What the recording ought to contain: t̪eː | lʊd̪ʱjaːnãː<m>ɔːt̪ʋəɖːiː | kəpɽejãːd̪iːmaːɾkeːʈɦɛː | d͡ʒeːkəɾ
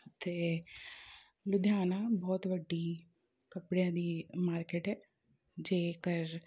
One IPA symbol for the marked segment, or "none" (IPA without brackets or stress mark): b